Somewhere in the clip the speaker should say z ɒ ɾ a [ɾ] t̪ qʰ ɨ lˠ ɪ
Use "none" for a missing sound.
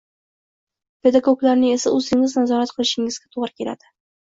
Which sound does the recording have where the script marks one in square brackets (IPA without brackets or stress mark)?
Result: none